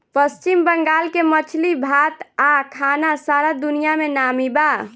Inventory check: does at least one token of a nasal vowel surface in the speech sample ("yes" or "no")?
no